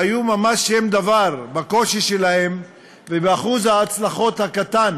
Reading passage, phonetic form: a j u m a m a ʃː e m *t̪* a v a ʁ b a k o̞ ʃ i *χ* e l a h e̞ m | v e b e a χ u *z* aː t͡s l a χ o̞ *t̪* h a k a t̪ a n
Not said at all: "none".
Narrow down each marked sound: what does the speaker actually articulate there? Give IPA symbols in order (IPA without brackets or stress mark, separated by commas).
d̪, ʃ, z, t̪